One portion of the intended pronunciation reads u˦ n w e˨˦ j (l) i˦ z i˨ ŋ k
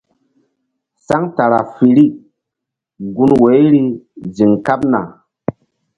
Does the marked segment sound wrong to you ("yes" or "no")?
yes